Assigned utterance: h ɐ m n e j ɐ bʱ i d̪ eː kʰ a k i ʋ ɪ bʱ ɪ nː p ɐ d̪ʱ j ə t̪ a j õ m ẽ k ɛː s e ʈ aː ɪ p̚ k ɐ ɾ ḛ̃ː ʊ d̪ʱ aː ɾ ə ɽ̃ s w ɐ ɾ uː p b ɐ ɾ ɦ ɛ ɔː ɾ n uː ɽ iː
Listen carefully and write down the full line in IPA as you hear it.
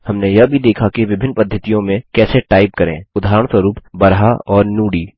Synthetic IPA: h ɐ m n e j ɐ bʱ i d̪ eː kʰ a k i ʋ ɪ bʱ ɪ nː p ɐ d̪ʱ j ə t̪ i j õ m ẽ k ɛː s e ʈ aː ɪ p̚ k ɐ ɾ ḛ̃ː ʊ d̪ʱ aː ɾ ə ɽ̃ s w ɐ ɾ uː p b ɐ ɾ ɦ a ɔː ɾ n uː ɽ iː